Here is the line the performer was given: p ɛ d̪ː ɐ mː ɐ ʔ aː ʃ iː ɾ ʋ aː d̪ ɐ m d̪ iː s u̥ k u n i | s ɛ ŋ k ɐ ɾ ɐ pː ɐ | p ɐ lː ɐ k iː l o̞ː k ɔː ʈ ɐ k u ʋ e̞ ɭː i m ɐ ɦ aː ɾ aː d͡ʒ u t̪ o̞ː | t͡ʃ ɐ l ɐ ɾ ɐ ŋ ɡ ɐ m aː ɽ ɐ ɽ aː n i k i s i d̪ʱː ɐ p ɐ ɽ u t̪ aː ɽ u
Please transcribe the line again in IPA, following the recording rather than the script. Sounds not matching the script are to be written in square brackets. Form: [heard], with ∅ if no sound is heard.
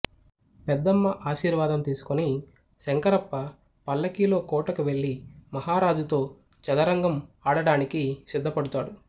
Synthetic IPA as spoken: p ɛ d̪ː ɐ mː ɐ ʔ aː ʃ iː ɾ ʋ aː d̪ ɐ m [t̪] iː s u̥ k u n i | s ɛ ŋ k ɐ ɾ ɐ pː ɐ | p ɐ lː ɐ k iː l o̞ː k ɔː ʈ ɐ k u ʋ e̞ ɭː i m ɐ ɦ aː ɾ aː d͡ʒ u t̪ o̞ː | t͡ʃ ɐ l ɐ ɾ ɐ ŋ ɡ ɐ m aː ɽ ɐ ɽ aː n i k i s i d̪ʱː ɐ p ɐ ɽ u t̪ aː ɽ u